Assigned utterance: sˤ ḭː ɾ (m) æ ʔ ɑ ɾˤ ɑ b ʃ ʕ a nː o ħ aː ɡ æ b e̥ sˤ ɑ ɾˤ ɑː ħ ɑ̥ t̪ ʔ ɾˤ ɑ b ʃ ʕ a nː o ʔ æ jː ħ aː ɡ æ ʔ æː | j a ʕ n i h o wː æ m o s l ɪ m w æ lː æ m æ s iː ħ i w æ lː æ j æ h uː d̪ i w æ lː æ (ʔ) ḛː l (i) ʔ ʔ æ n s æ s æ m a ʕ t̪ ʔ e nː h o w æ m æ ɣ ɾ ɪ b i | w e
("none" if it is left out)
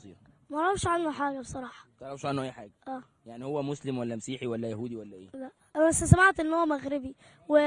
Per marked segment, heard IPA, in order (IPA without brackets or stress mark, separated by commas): m, ʔ, æ